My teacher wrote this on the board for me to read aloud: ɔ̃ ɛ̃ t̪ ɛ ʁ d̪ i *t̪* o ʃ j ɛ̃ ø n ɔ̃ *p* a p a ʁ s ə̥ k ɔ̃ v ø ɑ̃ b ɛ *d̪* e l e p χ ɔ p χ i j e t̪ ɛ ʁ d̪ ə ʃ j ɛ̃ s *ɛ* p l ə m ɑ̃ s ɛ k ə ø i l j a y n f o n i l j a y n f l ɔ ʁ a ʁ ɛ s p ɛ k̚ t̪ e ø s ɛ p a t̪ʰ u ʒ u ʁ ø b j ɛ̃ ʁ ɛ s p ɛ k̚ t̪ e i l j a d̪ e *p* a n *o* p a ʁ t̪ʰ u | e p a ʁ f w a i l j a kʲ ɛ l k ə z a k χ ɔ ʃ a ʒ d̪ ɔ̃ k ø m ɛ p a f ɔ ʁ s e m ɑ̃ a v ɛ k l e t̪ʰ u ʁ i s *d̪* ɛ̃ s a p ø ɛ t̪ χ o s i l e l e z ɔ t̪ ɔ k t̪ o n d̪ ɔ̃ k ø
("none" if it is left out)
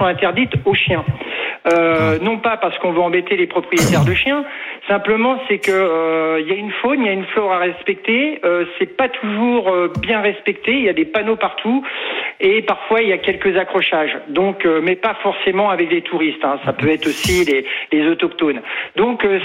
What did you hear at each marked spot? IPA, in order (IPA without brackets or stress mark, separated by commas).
t̪, p, t̪, ɛ̃, p, o, t̪